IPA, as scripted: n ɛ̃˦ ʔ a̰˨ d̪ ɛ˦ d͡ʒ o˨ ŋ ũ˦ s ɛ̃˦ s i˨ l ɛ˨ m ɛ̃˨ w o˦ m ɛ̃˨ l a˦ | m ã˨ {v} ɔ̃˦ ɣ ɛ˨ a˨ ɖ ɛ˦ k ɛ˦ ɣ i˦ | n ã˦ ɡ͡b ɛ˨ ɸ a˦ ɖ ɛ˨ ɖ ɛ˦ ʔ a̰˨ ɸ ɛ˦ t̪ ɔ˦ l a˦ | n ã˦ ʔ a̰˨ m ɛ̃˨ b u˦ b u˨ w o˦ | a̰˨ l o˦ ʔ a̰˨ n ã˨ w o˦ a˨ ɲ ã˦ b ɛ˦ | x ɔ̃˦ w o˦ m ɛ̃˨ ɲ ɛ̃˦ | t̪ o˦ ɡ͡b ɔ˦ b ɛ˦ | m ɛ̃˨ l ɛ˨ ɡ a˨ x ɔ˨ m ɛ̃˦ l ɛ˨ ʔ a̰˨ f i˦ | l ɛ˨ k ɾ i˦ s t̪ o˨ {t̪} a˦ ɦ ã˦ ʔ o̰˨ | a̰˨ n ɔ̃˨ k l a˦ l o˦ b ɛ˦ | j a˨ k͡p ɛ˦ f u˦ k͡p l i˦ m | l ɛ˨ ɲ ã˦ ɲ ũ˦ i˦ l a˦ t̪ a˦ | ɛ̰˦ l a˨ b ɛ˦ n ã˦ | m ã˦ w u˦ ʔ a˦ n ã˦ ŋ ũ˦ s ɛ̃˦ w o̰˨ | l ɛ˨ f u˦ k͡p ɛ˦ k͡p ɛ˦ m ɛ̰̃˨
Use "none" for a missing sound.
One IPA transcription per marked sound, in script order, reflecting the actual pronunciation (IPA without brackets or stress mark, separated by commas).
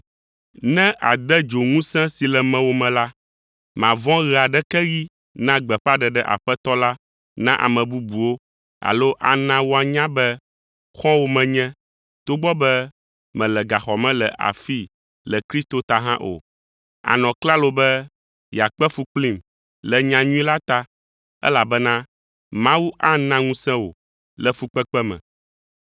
v, t̪